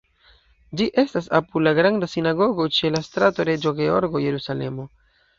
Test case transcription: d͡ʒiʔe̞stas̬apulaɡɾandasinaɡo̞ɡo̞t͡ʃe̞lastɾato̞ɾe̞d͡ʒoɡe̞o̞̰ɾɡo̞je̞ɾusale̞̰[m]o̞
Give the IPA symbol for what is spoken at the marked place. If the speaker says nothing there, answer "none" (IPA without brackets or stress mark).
m